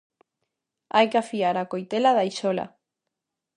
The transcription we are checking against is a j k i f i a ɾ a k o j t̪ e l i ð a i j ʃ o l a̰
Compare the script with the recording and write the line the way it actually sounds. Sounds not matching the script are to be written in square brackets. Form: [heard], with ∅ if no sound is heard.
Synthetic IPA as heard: a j k [a] f i a ɾ a k o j t̪ e l [a] ð a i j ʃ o l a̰